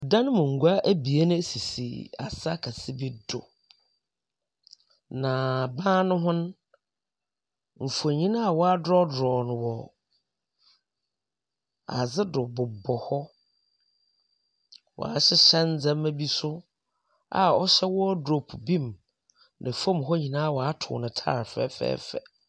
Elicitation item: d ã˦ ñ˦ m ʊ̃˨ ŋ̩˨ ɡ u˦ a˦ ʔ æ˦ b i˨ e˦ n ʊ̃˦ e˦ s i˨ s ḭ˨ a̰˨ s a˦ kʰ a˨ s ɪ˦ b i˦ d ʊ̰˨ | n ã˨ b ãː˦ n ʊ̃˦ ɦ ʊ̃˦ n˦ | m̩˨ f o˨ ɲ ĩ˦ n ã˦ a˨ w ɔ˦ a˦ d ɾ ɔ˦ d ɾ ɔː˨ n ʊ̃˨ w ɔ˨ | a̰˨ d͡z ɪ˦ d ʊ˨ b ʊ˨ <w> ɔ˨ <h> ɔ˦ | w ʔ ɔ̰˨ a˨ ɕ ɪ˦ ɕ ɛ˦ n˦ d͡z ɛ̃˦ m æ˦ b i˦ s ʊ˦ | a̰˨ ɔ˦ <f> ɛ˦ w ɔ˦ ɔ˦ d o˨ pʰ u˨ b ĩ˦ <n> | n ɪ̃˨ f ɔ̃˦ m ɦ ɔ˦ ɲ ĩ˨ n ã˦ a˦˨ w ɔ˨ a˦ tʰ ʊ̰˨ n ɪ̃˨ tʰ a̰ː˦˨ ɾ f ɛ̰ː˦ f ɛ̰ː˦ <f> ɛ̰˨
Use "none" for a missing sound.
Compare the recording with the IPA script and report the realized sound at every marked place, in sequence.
b, h, ɕ, m, f

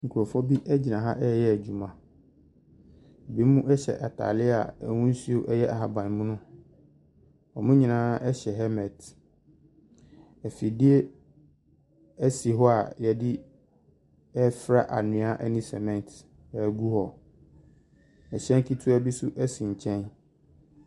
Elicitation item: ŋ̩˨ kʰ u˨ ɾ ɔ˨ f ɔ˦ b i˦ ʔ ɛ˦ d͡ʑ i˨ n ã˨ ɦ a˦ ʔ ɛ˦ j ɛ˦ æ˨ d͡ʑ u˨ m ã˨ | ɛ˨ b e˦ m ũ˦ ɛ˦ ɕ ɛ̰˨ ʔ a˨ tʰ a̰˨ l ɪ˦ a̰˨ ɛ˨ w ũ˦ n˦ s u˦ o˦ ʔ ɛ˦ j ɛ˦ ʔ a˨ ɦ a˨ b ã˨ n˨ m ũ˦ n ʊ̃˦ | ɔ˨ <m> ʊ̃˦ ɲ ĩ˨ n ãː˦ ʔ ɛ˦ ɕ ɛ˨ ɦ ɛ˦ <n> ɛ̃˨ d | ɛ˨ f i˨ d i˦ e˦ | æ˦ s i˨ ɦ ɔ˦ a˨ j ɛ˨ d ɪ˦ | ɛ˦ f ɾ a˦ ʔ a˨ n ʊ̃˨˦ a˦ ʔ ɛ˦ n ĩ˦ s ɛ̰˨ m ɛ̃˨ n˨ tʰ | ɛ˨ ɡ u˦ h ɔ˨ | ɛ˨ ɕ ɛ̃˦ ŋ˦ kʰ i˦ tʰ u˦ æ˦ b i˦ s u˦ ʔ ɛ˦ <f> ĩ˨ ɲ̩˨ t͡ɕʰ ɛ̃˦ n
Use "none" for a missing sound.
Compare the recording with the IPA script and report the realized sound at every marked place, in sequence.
m, m, s

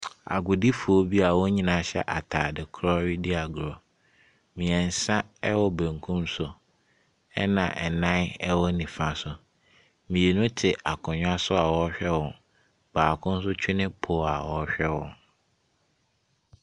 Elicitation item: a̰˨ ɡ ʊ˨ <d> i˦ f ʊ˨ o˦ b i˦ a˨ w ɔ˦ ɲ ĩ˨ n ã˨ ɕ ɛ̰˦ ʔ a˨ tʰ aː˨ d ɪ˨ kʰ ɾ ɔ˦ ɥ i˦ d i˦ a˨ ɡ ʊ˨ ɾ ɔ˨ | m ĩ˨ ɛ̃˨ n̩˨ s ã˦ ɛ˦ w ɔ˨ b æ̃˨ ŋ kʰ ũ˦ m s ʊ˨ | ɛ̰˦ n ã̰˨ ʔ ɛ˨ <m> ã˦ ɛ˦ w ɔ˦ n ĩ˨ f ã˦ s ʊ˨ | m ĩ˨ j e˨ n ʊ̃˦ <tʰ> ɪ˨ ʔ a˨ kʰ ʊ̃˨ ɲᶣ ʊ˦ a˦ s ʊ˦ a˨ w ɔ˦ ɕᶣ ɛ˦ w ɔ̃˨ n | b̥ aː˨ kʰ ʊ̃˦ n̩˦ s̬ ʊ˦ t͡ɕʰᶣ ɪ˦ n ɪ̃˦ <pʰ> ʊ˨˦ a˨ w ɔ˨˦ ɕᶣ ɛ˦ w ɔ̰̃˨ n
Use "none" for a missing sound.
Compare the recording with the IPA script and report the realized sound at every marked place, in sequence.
d, n, tʰ, pʰ

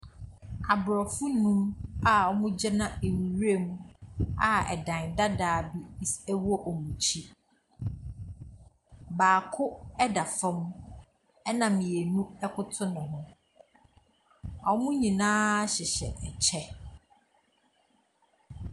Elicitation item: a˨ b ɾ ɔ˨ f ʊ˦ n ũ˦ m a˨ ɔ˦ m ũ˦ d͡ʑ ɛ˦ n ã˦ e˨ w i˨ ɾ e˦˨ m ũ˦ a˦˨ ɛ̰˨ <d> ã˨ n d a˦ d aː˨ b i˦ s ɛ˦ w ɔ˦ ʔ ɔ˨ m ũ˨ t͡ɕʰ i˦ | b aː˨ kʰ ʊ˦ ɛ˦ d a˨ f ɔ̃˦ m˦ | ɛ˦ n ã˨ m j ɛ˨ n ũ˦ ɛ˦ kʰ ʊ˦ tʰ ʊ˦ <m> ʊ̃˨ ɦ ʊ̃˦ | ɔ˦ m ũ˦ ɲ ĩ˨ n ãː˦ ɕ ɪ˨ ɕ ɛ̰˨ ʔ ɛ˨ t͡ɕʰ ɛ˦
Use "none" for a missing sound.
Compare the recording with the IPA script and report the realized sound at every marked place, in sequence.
d, n

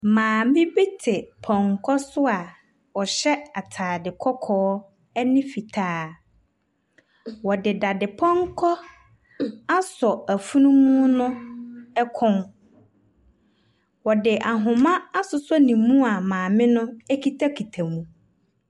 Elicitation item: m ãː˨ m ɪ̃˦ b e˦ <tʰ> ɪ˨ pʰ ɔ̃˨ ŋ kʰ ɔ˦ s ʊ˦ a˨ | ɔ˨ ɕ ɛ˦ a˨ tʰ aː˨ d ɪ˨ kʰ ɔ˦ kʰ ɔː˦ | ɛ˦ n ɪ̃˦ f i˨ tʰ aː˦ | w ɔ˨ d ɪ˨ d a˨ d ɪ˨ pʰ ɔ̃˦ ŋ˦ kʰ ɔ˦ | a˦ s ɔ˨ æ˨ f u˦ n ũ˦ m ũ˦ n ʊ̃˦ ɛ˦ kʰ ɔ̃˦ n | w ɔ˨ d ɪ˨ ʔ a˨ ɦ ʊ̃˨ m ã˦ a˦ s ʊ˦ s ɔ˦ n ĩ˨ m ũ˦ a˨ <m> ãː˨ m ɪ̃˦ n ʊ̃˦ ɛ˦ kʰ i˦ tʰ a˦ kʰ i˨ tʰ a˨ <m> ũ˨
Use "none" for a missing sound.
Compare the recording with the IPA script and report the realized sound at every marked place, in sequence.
tʰ, m, m

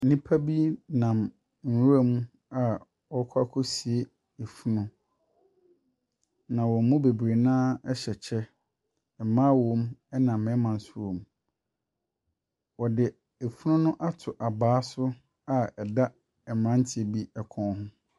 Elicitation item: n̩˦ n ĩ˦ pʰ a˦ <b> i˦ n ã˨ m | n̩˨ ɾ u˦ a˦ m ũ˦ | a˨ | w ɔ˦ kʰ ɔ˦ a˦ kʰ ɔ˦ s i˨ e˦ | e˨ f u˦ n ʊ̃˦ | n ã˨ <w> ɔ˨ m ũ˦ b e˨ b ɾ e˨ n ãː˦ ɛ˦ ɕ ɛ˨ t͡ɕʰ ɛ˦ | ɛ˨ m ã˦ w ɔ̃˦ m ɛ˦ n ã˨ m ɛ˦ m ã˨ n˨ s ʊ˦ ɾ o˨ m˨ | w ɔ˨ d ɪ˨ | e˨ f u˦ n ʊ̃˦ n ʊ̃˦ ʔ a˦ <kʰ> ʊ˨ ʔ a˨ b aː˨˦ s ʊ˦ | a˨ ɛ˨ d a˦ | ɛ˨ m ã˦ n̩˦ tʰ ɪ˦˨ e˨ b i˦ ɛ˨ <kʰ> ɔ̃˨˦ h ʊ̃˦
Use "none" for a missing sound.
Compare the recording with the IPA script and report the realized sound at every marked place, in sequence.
b, w, tʰ, kʰ

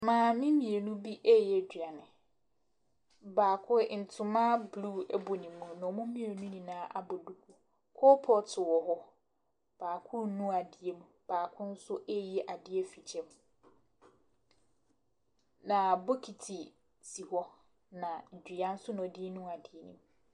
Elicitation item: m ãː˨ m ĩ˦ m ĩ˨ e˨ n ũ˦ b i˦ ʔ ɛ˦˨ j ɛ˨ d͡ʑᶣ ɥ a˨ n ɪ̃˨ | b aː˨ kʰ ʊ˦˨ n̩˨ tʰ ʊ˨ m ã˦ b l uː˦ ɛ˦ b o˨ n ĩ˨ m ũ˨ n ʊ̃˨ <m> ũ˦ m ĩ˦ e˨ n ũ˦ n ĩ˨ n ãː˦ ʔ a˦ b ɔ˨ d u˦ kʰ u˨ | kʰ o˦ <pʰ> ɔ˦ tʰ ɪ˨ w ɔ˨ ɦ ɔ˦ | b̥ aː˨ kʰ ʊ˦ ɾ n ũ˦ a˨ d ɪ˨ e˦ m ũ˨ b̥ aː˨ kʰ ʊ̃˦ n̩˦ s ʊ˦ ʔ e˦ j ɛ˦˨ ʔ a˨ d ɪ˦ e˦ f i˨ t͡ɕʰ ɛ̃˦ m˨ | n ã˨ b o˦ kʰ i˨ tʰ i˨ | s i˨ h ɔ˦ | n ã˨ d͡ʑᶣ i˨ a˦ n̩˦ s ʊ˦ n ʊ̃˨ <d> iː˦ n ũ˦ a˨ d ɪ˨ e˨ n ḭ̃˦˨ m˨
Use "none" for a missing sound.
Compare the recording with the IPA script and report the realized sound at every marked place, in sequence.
m, pʰ, d

